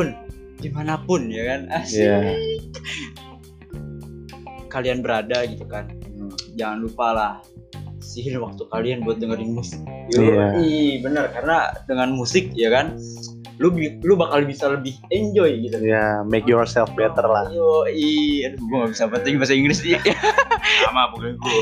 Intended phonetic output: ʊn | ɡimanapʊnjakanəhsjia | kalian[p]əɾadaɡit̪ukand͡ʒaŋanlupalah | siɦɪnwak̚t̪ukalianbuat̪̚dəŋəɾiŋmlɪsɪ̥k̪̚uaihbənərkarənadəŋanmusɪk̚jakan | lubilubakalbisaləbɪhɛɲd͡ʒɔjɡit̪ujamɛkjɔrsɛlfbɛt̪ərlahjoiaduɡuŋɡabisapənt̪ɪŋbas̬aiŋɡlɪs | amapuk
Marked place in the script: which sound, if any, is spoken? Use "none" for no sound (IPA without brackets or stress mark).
b